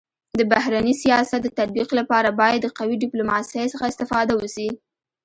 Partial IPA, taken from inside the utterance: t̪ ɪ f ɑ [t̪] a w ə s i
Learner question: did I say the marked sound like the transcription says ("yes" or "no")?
no